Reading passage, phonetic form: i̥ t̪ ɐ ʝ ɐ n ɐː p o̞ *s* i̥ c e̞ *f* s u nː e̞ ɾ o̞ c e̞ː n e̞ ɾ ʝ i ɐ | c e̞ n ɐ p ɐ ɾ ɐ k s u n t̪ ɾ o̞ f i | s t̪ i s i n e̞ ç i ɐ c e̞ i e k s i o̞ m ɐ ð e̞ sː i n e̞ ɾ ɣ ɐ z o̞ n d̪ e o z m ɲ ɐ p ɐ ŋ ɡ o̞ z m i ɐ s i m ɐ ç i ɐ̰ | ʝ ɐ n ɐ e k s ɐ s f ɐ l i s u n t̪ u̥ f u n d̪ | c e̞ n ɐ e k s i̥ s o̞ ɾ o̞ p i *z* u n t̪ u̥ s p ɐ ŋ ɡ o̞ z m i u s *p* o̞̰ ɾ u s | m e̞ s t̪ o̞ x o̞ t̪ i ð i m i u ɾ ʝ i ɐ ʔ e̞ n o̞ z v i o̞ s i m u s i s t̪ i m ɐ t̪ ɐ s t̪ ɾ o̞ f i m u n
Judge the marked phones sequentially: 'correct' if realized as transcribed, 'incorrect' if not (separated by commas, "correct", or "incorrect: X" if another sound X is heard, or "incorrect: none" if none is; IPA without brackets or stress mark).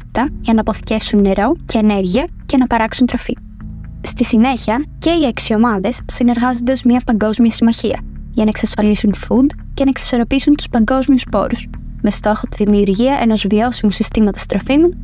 incorrect: θ, correct, incorrect: s, correct